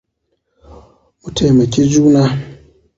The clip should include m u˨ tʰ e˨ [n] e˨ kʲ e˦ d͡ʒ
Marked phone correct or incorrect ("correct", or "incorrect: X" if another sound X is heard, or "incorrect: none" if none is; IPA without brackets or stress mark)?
incorrect: m